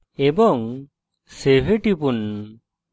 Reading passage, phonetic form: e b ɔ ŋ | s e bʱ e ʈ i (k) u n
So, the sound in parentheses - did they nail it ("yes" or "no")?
no